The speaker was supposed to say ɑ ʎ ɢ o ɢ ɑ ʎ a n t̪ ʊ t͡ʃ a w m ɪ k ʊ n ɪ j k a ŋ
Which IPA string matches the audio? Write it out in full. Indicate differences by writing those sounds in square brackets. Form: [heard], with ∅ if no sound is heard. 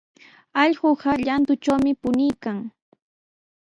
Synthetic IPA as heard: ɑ ʎ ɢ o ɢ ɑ ʎ a n t̪ ʊ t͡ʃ a w m ɪ [p] ʊ n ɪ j k a ŋ